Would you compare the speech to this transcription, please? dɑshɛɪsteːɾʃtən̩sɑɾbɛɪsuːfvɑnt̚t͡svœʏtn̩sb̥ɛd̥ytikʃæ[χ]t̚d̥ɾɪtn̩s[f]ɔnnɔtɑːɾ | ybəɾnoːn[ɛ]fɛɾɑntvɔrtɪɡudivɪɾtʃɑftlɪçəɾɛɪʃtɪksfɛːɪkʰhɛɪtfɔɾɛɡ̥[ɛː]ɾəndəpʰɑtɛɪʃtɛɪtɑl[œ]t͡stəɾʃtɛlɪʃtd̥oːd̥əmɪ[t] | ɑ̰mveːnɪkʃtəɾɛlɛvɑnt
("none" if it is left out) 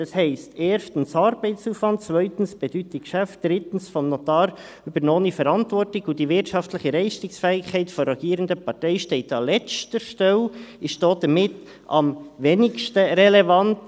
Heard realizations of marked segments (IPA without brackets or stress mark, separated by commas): f, f, i, iː, ɛ, t